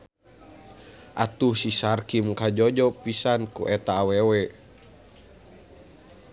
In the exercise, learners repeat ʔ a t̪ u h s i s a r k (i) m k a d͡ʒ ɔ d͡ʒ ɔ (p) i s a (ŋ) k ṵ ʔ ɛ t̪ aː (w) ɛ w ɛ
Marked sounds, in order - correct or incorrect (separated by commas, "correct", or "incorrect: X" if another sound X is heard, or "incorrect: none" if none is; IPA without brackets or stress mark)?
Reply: correct, correct, incorrect: n, correct